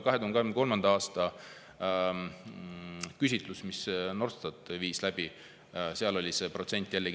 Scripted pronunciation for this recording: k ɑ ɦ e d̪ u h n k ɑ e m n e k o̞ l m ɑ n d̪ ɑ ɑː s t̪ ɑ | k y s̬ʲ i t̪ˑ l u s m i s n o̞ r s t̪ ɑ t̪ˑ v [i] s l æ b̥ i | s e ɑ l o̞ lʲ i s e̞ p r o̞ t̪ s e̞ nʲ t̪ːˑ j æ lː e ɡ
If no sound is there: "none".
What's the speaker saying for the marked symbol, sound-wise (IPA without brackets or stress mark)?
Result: iː